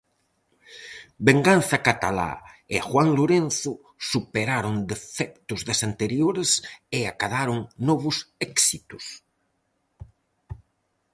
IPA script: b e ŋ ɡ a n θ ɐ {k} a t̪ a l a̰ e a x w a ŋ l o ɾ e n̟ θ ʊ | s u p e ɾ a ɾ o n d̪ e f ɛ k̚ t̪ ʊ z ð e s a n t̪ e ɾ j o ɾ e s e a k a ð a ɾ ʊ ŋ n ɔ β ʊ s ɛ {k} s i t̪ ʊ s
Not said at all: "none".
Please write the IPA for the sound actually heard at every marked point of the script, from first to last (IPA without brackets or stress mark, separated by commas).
k, k